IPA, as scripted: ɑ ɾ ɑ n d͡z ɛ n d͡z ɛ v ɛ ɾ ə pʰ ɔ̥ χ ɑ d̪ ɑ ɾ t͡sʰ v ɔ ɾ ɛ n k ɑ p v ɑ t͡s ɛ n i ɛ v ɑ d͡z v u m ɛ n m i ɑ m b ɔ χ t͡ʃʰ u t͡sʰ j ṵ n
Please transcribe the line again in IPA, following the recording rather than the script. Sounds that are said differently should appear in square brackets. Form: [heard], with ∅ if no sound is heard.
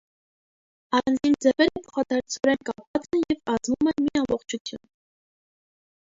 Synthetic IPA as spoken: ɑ ɾ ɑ n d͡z [i] n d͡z ɛ v ɛ ɾ ə pʰ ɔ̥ χ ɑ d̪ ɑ ɾ t͡sʰ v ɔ ɾ ɛ n k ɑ p v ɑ t͡s ɛ n [j] ɛ v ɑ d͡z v u m ɛ n m i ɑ m b ɔ χ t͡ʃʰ u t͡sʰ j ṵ n